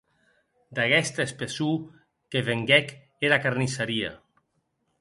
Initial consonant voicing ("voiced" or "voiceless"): voiced